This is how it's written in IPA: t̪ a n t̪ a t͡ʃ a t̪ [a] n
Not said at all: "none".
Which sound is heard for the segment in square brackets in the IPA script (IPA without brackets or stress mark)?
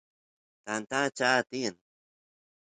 i